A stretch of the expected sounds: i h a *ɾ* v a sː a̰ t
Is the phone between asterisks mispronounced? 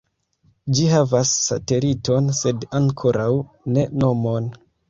yes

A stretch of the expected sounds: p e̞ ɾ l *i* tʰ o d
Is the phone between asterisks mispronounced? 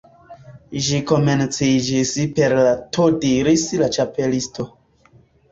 yes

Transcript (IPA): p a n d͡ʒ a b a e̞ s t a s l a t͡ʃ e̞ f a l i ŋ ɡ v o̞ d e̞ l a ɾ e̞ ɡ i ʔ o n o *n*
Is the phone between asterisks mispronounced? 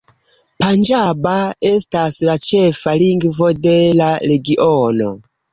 yes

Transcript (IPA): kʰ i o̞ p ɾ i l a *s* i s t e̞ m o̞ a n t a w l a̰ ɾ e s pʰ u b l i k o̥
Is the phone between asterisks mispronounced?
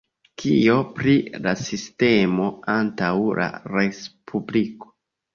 no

